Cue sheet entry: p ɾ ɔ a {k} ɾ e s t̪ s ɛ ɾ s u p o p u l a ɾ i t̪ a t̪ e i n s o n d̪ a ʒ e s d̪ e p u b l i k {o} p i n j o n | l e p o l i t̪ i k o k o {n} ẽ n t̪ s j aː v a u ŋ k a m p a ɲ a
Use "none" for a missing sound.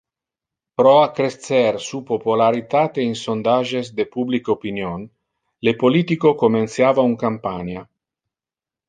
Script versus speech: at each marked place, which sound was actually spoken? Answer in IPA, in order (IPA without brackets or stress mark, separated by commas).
k, o, m